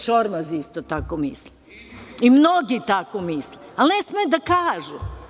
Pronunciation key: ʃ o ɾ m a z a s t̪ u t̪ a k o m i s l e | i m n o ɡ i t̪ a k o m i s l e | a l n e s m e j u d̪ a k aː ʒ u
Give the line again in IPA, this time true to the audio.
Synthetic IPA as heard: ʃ o ɾ m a z i s t̪ o t̪ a k o m i s l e | i m n o ɡ i t̪ a k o m i s l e | a l n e s m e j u d̪ a k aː ʒ u